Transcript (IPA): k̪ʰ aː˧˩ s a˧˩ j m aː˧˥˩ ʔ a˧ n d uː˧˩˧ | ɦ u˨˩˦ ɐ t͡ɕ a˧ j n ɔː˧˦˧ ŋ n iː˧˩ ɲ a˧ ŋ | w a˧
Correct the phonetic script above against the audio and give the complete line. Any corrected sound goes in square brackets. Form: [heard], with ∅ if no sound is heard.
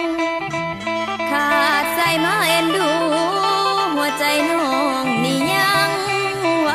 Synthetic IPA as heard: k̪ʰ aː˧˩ s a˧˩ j m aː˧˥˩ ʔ [e˧] n d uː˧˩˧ | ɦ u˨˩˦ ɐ t͡ɕ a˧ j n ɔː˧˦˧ ŋ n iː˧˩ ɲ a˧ ŋ | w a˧